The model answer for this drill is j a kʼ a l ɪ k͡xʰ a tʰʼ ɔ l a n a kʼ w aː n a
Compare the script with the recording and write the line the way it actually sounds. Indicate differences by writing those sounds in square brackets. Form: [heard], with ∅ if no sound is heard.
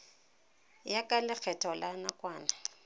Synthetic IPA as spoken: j a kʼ a l ɪ k͡xʰ [ɛ] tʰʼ ɔ l a n a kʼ w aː n a